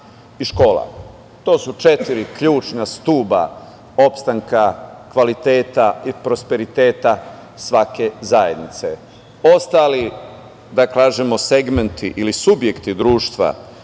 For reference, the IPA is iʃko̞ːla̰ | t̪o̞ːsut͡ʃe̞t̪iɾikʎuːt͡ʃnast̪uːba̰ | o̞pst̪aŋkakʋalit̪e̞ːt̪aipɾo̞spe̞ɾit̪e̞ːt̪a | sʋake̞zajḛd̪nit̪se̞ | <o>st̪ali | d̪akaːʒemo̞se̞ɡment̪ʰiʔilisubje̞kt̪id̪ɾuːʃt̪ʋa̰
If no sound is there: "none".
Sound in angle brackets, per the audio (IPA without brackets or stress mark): o